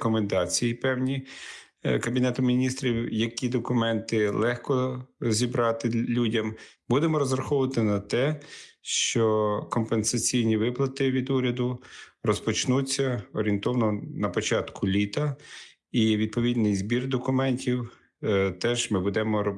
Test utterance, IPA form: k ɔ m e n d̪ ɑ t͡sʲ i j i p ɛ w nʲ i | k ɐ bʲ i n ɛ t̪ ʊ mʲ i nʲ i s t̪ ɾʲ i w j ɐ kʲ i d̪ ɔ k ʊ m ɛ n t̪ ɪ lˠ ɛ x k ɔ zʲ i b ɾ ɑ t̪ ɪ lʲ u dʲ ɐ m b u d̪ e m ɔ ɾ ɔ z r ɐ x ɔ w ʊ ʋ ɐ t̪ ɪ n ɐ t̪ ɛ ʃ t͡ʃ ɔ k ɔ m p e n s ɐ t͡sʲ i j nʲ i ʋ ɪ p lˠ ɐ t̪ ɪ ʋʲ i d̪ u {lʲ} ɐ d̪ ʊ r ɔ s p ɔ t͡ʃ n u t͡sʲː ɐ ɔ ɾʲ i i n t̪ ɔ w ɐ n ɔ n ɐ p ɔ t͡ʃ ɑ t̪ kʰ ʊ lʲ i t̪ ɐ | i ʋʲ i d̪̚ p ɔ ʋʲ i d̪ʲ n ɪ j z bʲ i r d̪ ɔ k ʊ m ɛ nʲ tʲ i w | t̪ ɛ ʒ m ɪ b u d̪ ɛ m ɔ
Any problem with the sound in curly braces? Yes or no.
yes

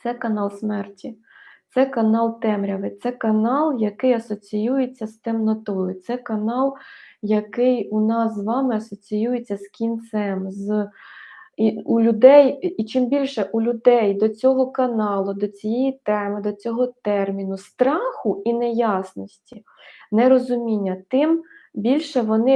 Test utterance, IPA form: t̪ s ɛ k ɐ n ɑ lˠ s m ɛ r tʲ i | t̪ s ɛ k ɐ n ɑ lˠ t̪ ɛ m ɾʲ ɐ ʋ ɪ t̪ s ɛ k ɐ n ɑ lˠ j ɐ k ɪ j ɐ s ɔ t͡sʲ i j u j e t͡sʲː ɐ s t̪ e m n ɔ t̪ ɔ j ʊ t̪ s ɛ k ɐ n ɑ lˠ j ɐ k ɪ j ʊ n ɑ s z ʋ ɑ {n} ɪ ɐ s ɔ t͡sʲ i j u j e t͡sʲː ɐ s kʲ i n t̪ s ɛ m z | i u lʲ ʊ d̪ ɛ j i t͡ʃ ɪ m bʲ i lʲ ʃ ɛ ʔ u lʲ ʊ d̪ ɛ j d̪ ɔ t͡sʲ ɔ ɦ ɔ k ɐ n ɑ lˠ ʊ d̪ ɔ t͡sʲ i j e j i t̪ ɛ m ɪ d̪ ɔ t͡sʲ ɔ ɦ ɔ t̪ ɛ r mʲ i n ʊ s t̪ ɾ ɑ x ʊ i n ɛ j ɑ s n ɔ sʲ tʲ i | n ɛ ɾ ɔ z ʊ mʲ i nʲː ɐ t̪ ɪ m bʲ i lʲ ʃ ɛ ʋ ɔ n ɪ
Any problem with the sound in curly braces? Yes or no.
yes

